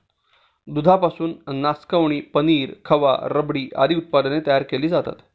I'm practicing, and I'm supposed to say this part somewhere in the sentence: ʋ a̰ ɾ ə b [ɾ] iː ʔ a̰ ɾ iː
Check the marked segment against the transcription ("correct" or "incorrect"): incorrect